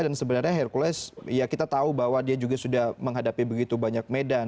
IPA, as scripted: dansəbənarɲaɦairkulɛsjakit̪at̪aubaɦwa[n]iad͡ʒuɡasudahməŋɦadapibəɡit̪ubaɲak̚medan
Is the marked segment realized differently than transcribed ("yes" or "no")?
yes